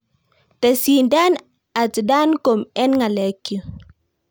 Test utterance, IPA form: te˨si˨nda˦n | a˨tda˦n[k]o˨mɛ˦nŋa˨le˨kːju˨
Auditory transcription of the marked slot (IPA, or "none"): k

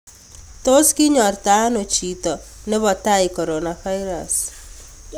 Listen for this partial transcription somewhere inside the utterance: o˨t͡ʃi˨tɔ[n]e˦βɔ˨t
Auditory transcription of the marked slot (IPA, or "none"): n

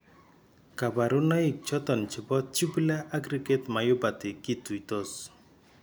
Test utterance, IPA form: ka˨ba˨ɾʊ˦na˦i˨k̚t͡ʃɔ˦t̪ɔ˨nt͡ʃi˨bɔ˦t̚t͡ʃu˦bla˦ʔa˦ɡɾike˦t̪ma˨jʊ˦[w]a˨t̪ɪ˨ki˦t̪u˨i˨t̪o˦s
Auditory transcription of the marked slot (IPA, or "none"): b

